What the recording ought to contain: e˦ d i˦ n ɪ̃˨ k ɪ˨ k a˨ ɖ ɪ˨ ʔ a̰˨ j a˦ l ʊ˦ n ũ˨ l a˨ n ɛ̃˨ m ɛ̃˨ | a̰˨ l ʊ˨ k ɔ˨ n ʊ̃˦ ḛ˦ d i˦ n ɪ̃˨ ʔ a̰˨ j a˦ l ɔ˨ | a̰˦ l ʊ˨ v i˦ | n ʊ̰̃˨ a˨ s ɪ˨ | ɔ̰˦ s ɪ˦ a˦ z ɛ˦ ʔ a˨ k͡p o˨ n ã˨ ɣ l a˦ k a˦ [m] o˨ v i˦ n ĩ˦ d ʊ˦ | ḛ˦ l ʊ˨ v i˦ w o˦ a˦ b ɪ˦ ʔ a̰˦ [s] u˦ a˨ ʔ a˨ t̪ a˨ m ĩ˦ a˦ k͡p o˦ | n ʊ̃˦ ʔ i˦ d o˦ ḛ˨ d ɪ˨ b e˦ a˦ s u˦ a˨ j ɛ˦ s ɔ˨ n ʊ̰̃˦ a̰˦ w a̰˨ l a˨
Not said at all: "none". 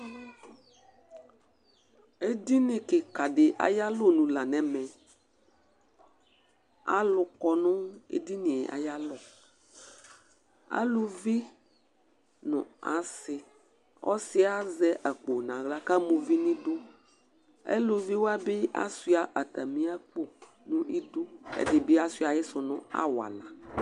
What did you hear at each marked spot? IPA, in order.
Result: m, s

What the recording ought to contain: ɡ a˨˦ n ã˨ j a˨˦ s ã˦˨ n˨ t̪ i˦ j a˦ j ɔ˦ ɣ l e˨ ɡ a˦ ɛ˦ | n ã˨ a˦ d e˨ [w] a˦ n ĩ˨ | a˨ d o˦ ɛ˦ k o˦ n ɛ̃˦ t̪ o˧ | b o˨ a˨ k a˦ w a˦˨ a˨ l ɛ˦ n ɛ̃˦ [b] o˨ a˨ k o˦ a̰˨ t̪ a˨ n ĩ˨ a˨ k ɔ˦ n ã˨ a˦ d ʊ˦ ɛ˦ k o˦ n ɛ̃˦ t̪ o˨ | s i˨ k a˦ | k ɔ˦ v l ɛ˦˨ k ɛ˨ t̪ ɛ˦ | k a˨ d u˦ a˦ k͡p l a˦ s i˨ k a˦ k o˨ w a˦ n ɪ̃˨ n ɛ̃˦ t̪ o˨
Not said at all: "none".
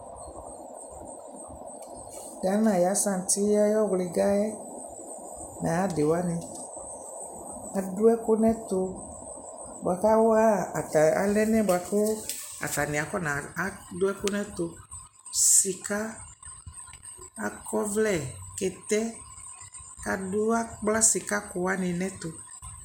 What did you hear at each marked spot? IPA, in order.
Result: w, b

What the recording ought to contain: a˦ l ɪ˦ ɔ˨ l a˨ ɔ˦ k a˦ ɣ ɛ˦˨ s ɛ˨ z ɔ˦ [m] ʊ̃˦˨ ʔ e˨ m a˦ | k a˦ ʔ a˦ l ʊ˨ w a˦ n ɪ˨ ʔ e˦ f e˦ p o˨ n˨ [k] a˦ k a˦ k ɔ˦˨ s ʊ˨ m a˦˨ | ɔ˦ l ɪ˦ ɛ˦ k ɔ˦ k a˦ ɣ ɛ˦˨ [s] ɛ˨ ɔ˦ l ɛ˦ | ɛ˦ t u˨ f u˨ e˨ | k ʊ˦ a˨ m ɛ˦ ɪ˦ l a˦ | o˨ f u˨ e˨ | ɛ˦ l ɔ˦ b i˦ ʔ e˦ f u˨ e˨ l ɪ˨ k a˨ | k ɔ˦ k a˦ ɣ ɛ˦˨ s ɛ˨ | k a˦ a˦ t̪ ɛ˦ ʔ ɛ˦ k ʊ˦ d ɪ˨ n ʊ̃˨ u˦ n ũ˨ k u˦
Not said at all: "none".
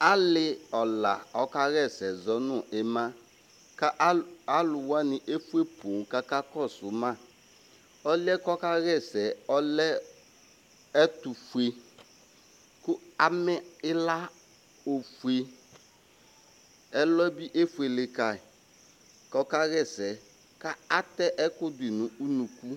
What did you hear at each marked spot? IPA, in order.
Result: n, k, s

